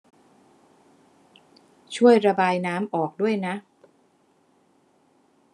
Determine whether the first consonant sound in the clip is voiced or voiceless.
voiceless